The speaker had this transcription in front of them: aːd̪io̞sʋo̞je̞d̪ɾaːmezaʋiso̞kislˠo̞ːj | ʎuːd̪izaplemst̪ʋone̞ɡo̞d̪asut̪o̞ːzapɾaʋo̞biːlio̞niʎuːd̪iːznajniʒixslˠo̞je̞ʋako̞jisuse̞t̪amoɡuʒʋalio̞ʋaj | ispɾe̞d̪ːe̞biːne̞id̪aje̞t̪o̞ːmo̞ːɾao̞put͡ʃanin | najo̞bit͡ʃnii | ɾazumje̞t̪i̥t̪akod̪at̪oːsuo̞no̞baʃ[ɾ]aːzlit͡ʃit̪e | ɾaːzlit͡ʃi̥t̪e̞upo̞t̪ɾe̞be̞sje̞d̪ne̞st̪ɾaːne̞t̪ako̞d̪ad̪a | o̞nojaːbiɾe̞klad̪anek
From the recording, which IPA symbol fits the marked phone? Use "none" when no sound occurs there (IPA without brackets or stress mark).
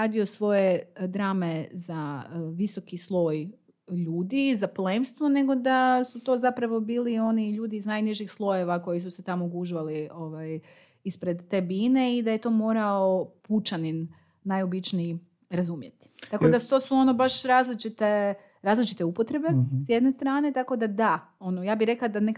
ɾ